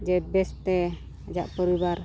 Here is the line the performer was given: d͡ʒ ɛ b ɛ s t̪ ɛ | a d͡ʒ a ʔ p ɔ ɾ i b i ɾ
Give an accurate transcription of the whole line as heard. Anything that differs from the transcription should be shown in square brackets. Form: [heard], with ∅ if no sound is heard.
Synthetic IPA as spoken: d͡ʒ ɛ b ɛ s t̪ ɛ | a d͡ʒ a ʔ p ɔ ɾ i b [a] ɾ